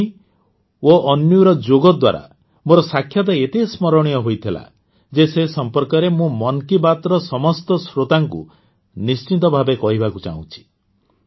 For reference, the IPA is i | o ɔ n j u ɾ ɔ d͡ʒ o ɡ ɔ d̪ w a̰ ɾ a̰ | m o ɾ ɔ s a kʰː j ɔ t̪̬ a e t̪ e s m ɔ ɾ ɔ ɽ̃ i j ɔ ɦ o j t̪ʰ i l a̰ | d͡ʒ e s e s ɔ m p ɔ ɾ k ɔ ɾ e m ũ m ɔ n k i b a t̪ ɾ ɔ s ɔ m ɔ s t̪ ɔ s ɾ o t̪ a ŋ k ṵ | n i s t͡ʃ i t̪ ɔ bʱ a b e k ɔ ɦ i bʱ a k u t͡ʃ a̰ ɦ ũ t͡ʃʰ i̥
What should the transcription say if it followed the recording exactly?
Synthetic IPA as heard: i | o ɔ n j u ɾ ɔ d͡ʒ o ɡ ɔ d̪ w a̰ ɾ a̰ | m o ɾ ɔ s a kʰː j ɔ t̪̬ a e t̪ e s m ɔ ɾ ɔ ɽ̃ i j ɔ ɦ o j t̪ʰ i l a̰ | d͡ʒ e s e s ɔ m p ɔ ɾ k ɔ ɾ e m ũ m ɔ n k i b a t̪ ɾ ɔ s ɔ m ɔ s t̪ ɔ s ɾ o t̪ a ŋ k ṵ | n i s t͡ʃ i t̪ ɔ bʱ a b e k ɔ ɦ i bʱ a k u t͡ʃ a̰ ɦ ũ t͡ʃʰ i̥

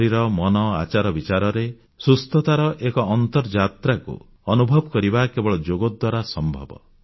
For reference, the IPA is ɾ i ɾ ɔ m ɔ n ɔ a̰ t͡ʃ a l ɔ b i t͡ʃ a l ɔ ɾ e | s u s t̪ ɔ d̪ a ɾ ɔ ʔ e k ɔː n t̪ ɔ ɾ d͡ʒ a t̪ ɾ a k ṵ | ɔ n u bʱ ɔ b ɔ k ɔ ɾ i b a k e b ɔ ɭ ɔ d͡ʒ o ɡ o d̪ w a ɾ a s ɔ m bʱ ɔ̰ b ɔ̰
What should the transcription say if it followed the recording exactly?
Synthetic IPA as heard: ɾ i ɾ ɔ m ɔ n ɔ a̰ t͡ʃ a ɾ ɔ b i t͡ʃ a ɾ ɔ ɾ e | s u s t̪ ɔ t̪ a ɾ ɔ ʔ e k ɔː n t̪ ɔ ɾ d͡ʒ a t̪ ɾ a k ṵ | ɔ n u bʱ ɔ b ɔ k ɔ ɾ i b a k e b ɔ ɭ ɔ d͡ʒ o ɡ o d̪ w a ɾ a s ɔ m bʱ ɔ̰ b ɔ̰

